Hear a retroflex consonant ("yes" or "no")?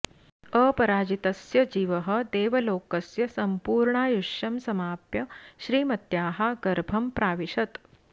yes